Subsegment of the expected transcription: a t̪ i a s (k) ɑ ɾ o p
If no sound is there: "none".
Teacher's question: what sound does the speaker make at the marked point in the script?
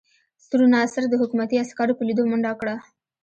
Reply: k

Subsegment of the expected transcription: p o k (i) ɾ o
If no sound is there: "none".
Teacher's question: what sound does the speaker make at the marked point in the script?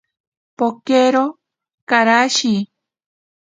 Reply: e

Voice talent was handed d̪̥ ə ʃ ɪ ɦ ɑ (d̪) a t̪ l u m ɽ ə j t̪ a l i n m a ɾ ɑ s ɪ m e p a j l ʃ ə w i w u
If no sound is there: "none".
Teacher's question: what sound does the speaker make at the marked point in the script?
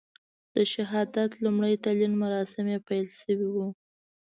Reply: d̪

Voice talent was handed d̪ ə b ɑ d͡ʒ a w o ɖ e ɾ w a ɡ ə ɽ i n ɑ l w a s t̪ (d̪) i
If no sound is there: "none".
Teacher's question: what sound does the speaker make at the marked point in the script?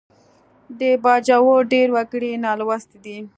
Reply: d̪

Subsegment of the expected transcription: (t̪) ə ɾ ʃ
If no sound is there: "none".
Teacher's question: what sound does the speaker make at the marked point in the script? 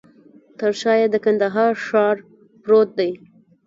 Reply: t̪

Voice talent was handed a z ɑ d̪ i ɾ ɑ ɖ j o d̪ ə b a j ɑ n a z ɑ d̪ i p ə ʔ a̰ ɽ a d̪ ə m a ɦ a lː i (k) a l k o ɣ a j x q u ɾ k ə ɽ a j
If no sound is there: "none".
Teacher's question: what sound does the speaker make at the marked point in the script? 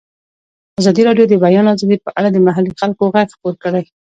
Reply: x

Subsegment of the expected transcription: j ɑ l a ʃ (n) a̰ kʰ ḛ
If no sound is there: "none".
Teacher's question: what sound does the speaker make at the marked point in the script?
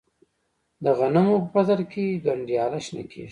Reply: n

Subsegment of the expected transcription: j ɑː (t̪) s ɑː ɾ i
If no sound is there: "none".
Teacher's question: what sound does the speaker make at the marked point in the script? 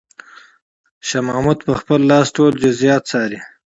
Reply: t̪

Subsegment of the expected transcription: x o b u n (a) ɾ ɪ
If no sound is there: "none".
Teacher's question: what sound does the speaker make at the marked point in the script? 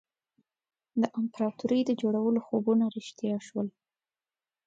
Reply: a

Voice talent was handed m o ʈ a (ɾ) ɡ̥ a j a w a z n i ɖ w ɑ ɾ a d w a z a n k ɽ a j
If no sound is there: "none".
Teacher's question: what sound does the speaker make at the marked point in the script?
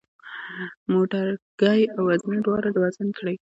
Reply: ɾ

